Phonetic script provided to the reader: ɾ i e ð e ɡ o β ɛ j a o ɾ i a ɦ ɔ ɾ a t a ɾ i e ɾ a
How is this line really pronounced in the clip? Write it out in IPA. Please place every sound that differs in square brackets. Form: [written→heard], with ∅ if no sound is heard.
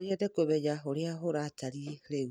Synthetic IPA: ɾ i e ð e [ɡ→k] o β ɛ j a o ɾ [i→e] a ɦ [ɔ→o] ɾ a t a ɾ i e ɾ [a→e]